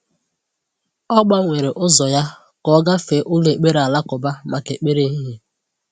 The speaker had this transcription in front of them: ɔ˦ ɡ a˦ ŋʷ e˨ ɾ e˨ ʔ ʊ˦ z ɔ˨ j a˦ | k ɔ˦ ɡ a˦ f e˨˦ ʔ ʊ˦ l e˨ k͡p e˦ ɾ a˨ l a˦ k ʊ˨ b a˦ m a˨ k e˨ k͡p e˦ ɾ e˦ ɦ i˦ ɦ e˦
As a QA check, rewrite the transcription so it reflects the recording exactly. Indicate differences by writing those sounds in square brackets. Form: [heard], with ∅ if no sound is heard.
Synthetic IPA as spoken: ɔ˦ [ɡ͡b] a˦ ŋʷ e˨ ɾ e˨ ʔ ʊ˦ z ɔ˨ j a˦ | k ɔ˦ ɡ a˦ f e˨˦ ʔ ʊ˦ l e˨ k͡p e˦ ɾ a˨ l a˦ k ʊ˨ b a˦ m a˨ k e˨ k͡p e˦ ɾ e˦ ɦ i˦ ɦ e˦